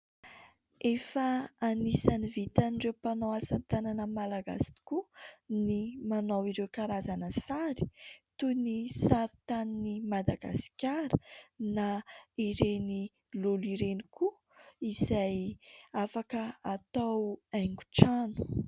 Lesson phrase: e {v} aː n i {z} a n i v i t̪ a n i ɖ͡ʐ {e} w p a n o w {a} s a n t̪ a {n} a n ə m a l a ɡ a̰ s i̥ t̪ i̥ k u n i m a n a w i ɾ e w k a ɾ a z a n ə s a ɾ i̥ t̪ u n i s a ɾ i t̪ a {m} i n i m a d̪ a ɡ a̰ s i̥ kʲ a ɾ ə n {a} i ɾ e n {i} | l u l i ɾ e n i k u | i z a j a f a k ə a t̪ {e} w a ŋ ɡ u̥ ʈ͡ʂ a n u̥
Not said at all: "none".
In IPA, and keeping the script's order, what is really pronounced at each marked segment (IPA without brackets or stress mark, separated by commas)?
f, s, e, a, n, n, a, i, a